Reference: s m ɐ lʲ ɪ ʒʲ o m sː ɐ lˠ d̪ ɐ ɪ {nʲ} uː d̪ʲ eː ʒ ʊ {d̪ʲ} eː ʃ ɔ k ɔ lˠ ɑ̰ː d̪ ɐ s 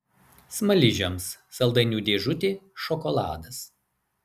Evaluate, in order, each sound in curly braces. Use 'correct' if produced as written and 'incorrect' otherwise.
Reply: correct, incorrect: t̪ʲ

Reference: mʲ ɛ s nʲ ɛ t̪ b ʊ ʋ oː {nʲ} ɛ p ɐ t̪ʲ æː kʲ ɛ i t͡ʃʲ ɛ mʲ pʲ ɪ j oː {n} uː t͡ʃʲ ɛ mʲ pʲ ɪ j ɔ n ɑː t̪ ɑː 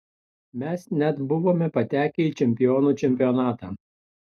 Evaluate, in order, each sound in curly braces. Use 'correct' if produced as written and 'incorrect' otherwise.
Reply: incorrect: mʲ, correct

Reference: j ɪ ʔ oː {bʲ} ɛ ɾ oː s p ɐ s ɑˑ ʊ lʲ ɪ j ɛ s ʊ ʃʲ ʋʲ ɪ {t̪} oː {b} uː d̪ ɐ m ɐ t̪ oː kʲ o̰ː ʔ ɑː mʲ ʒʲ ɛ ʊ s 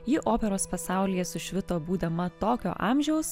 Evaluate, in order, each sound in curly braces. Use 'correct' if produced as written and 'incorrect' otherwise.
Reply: incorrect: pʲ, correct, correct

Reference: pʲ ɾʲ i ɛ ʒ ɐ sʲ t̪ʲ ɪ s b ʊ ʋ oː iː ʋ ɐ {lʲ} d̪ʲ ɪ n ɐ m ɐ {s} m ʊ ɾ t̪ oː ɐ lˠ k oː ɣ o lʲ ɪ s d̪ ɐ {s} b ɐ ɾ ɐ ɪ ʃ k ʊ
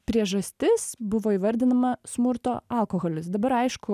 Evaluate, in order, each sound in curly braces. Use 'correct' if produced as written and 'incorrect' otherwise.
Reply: incorrect: ɾʲ, correct, incorrect: none

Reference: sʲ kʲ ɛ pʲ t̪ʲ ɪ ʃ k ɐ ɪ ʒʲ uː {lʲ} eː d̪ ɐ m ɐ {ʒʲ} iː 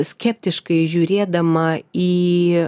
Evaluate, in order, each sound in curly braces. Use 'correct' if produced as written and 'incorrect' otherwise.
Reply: incorrect: ɾʲ, incorrect: none

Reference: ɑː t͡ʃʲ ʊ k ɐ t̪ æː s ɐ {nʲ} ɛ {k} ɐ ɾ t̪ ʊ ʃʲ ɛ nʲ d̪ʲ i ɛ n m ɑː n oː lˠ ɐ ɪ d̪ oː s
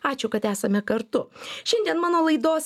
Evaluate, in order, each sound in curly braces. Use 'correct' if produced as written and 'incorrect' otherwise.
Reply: incorrect: mʲ, correct

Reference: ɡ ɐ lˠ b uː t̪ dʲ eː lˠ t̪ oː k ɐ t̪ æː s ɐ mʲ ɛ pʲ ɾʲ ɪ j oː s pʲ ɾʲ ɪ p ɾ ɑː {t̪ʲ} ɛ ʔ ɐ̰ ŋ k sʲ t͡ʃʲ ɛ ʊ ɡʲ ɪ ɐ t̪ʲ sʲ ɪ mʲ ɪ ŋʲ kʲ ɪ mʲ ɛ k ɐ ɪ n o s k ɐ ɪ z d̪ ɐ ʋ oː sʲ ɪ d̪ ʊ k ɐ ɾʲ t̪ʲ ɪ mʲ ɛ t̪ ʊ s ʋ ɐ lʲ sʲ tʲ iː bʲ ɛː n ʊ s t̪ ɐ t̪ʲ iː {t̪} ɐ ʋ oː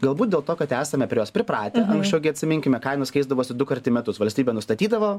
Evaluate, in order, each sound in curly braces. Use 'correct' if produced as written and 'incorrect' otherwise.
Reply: correct, incorrect: d̪

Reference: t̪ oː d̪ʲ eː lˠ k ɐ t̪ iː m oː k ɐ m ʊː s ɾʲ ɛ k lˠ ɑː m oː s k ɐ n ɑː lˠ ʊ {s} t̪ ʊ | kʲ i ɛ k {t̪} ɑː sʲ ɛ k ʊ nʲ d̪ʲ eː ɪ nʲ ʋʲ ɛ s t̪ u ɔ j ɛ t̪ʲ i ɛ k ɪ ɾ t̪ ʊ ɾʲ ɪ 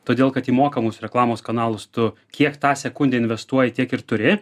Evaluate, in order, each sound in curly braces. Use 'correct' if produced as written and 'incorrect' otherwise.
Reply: correct, correct

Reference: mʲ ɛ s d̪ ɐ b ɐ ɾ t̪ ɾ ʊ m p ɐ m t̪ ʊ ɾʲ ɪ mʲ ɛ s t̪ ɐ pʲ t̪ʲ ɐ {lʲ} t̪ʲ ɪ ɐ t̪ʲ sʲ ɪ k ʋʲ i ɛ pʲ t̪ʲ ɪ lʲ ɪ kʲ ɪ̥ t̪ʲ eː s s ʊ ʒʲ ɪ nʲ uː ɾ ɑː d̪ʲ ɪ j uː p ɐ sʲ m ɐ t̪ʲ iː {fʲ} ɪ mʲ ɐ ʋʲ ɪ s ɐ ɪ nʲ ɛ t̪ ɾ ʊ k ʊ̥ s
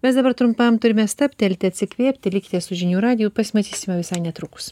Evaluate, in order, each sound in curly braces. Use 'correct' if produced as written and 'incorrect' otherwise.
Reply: correct, incorrect: sʲ

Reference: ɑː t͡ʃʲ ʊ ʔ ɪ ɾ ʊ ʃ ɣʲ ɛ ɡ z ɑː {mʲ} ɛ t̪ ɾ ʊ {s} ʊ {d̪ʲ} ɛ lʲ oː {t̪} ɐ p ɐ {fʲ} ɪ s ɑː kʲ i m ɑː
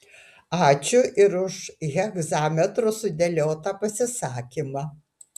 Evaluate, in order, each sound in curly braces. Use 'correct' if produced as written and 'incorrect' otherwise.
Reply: correct, correct, correct, correct, incorrect: sʲ

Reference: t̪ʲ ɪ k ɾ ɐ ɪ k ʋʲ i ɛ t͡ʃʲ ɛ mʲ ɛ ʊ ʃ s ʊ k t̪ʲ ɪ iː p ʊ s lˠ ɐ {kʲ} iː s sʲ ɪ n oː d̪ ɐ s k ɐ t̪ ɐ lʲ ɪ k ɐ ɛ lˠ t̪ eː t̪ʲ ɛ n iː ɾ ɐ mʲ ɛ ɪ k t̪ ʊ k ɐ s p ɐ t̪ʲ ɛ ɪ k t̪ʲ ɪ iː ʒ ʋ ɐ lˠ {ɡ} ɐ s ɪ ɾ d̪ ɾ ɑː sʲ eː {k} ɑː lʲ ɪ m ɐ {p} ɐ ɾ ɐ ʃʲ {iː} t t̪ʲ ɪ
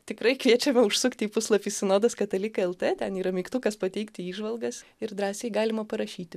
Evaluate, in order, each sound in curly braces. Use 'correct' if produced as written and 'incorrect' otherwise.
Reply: incorrect: pʲ, correct, incorrect: ɡ, correct, correct

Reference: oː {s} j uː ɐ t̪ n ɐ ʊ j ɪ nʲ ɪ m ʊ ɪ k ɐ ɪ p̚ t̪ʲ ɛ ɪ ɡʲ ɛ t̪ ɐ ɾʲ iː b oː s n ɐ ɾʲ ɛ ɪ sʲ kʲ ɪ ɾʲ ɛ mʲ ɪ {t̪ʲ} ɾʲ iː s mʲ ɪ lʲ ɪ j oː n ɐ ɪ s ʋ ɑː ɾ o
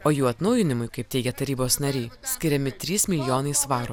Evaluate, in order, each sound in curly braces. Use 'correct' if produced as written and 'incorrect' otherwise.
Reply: incorrect: none, correct

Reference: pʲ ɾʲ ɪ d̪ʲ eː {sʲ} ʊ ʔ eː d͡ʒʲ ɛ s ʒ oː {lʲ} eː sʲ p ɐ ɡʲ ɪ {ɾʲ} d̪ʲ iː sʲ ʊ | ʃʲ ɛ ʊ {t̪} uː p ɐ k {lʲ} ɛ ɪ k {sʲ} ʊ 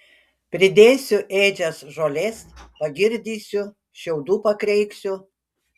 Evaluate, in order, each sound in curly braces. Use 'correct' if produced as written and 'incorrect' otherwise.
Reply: correct, correct, correct, incorrect: d̪, incorrect: ɾʲ, correct

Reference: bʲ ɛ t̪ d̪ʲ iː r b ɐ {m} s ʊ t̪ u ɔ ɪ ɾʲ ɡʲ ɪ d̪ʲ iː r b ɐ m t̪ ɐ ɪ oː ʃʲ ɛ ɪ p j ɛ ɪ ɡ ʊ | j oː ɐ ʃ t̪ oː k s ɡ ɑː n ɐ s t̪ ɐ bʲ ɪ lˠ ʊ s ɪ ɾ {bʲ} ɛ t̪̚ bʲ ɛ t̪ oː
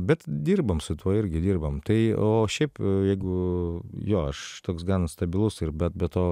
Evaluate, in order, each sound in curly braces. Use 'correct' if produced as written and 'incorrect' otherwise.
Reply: correct, correct

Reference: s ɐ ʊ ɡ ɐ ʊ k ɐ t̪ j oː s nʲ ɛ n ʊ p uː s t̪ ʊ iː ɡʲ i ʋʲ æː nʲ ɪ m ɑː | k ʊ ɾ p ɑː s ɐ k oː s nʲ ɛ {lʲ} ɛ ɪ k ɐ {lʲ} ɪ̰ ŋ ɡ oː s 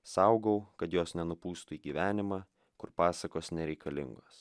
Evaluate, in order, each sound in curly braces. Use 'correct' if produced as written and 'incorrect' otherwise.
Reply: incorrect: ɾʲ, correct

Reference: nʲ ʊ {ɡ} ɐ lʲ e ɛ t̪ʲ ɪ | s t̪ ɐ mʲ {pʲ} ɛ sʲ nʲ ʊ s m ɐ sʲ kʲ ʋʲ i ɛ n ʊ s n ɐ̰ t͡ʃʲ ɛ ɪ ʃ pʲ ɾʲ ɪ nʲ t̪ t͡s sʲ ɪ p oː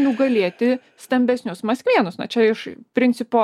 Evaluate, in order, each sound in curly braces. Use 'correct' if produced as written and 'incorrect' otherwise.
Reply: correct, incorrect: bʲ

